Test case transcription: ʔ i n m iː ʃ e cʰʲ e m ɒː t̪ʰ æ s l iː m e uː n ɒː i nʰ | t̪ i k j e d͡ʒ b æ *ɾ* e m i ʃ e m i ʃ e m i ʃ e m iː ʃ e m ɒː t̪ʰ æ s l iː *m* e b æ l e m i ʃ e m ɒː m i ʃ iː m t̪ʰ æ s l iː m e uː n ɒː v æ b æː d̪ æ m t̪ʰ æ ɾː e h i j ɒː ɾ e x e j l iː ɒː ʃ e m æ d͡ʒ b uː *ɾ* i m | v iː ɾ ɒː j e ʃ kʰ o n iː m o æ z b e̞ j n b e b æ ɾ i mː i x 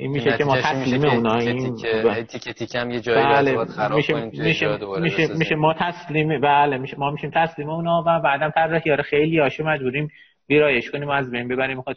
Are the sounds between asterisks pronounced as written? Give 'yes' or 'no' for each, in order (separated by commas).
no, yes, yes